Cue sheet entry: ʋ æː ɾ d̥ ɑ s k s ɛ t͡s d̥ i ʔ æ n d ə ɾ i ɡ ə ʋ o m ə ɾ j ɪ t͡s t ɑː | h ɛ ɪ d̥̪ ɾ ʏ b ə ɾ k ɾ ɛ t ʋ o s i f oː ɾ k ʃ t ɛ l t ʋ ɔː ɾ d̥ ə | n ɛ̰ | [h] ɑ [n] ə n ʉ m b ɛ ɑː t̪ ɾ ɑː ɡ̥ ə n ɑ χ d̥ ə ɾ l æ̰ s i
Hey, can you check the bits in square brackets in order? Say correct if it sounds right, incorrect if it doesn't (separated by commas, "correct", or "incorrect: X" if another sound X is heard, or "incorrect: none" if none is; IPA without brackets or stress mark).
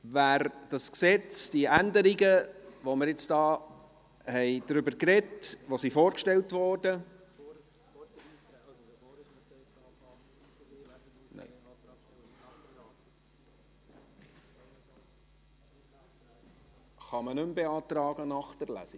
incorrect: χ, incorrect: m